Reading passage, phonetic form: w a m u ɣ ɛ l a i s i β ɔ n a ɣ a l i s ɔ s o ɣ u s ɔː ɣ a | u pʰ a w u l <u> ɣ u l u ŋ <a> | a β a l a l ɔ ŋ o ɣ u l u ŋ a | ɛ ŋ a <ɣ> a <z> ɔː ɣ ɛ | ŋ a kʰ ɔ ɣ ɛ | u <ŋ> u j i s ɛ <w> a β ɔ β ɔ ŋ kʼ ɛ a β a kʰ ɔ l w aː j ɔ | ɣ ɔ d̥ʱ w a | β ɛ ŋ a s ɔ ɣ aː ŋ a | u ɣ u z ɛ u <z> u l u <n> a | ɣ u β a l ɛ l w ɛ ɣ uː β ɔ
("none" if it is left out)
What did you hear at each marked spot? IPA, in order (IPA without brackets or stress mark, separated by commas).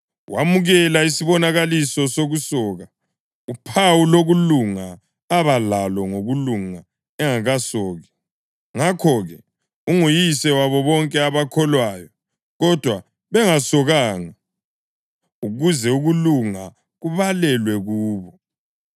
o, a, ɣ, s, ŋ, w, ɣ, ŋ